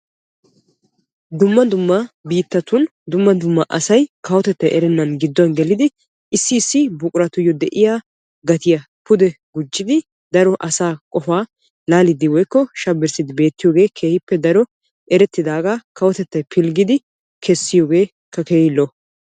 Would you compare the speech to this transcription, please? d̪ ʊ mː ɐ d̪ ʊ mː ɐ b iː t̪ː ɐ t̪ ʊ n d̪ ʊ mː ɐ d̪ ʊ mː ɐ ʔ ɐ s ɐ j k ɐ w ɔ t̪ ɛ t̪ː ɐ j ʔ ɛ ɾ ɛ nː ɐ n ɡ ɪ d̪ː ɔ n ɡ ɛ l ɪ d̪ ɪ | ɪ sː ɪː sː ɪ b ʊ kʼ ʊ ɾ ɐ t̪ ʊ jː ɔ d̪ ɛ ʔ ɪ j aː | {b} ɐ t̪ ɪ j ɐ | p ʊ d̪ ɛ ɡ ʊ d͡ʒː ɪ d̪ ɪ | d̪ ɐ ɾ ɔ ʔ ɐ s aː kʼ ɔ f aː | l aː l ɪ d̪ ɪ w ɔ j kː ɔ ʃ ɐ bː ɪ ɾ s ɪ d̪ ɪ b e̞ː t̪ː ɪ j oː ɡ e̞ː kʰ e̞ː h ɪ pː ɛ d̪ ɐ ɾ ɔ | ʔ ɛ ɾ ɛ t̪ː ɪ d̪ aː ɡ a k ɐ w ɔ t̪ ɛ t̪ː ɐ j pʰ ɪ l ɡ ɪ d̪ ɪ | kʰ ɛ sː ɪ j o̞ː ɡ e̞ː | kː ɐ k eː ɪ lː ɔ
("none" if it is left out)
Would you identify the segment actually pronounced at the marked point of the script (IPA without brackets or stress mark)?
ɡ